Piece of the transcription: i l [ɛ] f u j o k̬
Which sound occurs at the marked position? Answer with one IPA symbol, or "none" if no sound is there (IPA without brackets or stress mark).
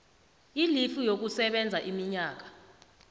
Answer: i